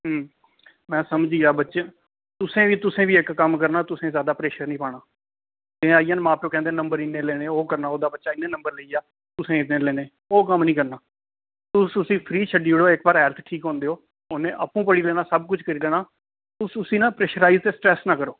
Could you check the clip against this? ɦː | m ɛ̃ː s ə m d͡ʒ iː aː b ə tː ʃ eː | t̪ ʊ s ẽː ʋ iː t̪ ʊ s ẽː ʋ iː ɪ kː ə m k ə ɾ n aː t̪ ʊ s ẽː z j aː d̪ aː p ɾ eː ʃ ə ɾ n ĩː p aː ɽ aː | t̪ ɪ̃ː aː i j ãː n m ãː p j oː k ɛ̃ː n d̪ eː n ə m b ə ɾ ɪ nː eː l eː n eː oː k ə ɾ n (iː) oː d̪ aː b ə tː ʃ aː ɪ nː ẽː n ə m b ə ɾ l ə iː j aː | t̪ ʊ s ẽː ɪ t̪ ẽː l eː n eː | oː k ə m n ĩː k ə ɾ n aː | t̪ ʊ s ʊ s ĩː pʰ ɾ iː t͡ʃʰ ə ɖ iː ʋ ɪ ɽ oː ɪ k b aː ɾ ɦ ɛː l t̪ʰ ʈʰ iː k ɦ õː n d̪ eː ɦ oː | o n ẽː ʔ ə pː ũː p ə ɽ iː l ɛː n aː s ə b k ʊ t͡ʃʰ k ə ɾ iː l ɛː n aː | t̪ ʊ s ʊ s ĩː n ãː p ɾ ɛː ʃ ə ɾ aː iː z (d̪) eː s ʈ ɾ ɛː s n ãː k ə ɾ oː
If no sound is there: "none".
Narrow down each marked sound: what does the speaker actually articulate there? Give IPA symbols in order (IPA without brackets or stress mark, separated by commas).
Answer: aː, t̪